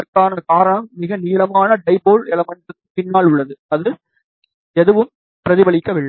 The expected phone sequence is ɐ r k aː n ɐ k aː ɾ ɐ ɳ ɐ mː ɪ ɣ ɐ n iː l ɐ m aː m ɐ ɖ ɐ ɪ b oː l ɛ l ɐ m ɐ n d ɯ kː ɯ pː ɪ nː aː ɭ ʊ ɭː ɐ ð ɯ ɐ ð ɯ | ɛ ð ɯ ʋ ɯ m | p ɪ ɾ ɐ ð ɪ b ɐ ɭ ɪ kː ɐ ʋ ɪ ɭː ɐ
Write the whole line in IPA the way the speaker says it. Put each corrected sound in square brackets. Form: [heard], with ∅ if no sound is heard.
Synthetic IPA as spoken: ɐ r k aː n ɐ k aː ɾ ɐ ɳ ɐ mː ɪ ɣ ɐ n iː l ɐ m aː [n] ɐ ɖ ɐ ɪ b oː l ɛ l ɐ m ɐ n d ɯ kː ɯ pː ɪ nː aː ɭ ʊ ɭː ɐ ð ɯ ɐ ð ɯ | ɛ ð ɯ ʋ ɯ m | p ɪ ɾ ɐ ð ɪ b ɐ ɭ ɪ kː ɐ ʋ ɪ ɭː ɐ